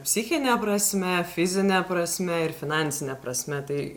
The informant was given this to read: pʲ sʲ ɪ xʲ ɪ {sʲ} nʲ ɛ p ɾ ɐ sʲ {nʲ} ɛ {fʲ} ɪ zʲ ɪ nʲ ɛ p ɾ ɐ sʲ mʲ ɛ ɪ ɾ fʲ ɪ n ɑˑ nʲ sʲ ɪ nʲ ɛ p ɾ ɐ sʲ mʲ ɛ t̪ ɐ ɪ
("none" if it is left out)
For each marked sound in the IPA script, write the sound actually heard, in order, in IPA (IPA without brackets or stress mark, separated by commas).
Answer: none, mʲ, fʲ